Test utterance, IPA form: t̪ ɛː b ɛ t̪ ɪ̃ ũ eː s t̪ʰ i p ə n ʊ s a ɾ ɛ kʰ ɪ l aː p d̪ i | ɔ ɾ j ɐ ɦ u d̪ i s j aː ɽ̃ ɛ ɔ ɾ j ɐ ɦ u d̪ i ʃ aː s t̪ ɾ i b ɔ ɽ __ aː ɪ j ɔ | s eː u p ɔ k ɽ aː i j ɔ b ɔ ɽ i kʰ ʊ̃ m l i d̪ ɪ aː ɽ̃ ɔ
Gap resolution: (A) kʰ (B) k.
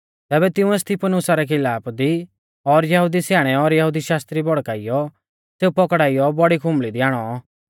B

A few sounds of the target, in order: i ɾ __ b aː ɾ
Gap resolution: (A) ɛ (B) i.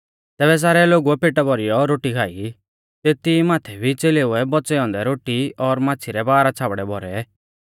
A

